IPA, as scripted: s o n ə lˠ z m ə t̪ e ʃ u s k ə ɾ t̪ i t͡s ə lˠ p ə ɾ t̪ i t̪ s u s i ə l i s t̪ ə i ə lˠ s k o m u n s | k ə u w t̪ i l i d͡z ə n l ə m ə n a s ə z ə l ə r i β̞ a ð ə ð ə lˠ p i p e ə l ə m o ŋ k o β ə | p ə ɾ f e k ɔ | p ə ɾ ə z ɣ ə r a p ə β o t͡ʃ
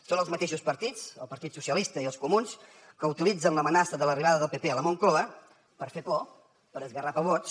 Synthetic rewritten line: s o n ə lˠ z m ə t̪ e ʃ u s p ə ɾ t̪ i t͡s ə lˠ p ə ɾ t̪ i t̪ s u s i ə l i s t̪ ə i ə lˠ s k u m u n s | k ə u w t̪ i l i d͡z ə n l ə m ə n a s ə ð ə l ə r i β̞ a ð ə ð ə lˠ p e p e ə l ə m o ŋ k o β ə | p ə ɾ f e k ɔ | p ə ɾ ə z ɣ ə r a p ə β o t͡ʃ